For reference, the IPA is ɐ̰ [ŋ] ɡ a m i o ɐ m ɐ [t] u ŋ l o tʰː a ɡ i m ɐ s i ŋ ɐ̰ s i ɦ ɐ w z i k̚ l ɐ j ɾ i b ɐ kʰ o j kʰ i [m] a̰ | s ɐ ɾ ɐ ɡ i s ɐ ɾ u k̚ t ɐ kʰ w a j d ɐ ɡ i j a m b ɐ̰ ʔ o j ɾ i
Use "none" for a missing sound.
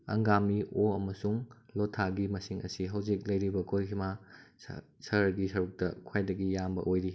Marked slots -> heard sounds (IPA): ŋ, s, m

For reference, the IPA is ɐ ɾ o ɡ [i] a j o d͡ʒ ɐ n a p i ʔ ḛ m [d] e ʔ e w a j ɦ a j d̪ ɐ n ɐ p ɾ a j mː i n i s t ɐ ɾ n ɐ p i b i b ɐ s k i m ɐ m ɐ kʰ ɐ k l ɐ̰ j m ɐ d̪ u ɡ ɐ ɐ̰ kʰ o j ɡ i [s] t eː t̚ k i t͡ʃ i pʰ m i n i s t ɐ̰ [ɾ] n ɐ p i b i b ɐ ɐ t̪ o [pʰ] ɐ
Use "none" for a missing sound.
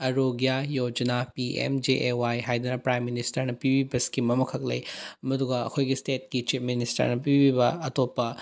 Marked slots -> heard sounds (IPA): j, d͡ʒ, s, ɾ, p

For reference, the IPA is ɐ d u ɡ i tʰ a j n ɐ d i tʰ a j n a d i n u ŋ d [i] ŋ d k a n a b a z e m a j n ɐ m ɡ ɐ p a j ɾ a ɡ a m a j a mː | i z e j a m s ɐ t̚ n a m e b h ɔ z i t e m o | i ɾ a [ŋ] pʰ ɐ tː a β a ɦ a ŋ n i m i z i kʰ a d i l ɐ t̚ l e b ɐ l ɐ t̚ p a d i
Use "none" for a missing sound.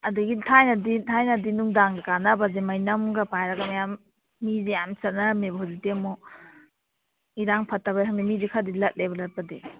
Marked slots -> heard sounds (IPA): a, ŋ

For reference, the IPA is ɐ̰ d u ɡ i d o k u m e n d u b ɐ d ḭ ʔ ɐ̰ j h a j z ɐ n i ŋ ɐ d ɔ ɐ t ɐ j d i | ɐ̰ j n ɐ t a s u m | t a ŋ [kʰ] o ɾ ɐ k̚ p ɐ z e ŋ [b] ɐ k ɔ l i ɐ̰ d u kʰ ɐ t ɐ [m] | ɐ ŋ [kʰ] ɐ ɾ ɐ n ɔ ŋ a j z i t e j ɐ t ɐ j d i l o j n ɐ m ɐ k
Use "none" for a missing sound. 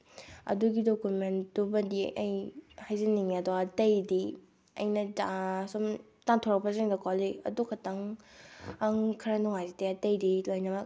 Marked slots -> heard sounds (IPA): tʰ, d, ŋ, kʰ

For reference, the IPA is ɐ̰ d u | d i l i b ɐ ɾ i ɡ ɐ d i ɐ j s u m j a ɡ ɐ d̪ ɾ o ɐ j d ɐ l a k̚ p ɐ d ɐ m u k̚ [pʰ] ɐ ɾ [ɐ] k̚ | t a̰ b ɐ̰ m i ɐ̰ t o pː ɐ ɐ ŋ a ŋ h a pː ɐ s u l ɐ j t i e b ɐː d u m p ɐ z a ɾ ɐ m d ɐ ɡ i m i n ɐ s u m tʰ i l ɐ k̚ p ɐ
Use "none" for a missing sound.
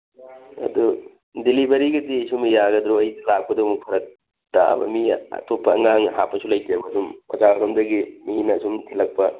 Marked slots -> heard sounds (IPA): pʰ, ɐ

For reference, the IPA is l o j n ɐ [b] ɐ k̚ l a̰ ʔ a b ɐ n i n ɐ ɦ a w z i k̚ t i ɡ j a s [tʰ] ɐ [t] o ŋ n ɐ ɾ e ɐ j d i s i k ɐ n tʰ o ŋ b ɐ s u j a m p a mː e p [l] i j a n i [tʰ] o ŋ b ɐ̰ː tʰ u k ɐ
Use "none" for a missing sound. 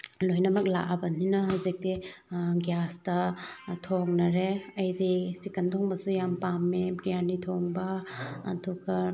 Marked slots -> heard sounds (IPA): m, t, tʰ, ɾ, tʰ

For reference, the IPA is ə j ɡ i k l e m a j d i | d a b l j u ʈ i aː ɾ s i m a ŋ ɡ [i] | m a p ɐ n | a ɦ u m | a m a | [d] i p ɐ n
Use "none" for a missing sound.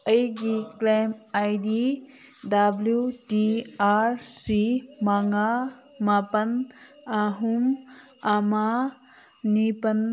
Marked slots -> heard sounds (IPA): a, n

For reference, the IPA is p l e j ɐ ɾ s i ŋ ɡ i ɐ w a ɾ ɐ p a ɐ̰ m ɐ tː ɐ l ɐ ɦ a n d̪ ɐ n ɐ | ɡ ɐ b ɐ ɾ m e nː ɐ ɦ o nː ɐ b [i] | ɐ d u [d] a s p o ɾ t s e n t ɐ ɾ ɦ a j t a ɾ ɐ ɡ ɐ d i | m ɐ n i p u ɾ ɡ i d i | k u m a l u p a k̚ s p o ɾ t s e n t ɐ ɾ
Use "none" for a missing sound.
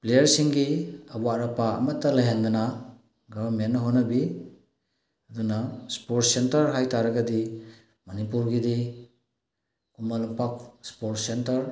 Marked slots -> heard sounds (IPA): i, n

